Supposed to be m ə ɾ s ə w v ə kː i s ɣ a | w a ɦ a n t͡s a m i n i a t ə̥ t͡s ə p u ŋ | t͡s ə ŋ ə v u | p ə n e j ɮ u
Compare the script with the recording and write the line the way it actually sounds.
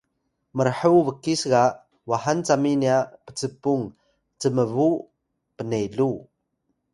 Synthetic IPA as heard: m ə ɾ ħ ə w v ə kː i s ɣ a | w a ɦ a n t͡s a m i n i a p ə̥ t͡s ə p u ŋ | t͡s ə m ə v u | p ə n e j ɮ u